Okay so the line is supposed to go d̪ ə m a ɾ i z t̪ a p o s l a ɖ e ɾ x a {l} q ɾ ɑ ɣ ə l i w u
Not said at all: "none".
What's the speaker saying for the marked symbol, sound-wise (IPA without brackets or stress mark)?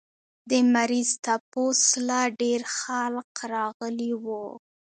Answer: l